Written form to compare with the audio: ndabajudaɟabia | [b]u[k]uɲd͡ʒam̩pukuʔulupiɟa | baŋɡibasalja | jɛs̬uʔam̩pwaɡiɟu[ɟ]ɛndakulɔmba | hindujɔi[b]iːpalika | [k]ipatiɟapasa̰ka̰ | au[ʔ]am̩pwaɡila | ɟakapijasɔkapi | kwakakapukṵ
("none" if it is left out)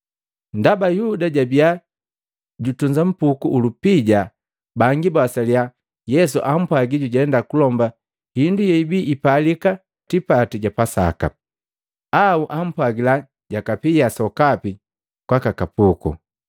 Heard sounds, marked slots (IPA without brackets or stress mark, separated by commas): ɟ, t, ɟ, b, t, ʔ